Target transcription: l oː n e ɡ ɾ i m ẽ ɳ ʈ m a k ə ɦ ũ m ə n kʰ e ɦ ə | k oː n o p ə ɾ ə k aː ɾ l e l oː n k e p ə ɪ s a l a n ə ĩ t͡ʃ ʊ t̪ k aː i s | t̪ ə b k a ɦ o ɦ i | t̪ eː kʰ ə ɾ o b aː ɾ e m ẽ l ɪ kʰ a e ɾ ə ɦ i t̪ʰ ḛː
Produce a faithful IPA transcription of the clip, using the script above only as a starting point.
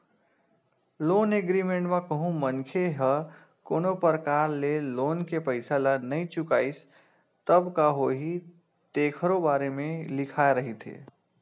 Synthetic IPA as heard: l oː n e ɡ ɾ i m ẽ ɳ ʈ m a k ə ɦ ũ m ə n kʰ e ɦ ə | k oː n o p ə ɾ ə k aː ɾ l e l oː n k e p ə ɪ s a l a n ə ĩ t͡ʃ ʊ k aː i s | t̪ ə b k a ɦ o ɦ i | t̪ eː kʰ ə ɾ o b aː ɾ e m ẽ l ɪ kʰ a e ɾ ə ɦ i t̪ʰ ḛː